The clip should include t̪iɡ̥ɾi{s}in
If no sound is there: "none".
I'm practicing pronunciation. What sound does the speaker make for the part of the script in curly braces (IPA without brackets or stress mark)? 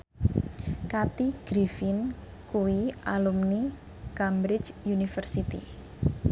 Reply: f